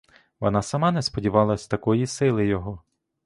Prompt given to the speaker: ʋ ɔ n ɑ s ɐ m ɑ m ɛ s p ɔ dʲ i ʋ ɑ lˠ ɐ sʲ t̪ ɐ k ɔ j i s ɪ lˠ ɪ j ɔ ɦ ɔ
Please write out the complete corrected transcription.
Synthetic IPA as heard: ʋ ɔ n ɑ s ɐ m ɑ n ɛ s p ɔ dʲ i ʋ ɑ lˠ ɐ sʲ t̪ ɐ k ɔ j i s ɪ lˠ ɪ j ɔ ɦ ɔ